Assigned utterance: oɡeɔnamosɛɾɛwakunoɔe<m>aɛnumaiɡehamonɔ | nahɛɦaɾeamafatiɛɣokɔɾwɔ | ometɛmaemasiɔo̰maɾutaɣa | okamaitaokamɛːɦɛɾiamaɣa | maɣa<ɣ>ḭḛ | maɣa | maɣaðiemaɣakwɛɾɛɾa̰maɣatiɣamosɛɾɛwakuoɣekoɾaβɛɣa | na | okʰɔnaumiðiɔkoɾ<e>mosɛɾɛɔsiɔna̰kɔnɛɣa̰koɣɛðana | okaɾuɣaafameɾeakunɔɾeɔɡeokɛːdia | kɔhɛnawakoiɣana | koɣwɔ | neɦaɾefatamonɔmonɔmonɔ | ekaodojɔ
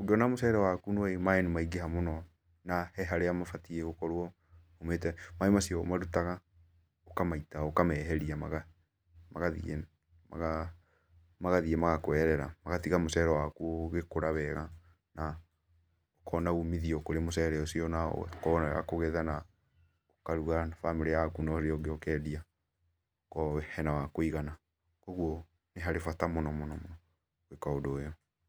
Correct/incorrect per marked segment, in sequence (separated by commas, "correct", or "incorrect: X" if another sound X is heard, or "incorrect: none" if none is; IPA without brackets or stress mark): correct, incorrect: ð, correct